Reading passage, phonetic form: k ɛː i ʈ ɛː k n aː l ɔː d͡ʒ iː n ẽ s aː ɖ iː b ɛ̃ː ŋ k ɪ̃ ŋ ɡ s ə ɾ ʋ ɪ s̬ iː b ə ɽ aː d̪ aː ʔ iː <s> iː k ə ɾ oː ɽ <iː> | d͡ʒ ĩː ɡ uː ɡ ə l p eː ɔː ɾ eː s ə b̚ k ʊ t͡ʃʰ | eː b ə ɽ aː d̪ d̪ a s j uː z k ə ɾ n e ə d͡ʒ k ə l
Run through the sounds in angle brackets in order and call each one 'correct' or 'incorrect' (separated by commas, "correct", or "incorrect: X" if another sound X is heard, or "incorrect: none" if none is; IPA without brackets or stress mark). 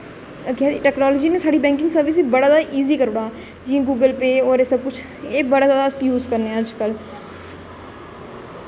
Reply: incorrect: z, incorrect: aː